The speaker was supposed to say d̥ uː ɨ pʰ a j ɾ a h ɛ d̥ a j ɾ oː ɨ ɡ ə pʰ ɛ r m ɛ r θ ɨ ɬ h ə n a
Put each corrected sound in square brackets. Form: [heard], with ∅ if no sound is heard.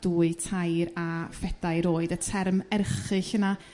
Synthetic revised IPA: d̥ uː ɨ [tʰ] a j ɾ a [f] ɛ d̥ a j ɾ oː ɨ [d] ə [tʰ] ɛ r m ɛ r [χ] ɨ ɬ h ə n a